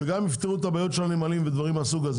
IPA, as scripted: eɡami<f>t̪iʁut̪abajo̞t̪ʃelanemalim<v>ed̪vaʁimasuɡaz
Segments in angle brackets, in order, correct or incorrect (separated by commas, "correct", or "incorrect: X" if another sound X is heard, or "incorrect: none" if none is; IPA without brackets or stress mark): correct, correct